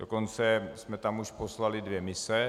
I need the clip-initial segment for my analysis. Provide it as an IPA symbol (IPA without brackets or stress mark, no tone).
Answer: d